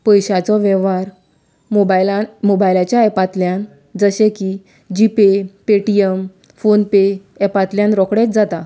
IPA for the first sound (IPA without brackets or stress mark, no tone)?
p